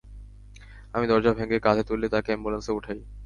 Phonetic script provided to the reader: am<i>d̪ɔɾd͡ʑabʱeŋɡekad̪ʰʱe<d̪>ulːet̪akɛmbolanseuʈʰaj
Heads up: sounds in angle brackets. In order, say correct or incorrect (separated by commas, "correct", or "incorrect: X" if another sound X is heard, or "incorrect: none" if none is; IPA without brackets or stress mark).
correct, incorrect: t̪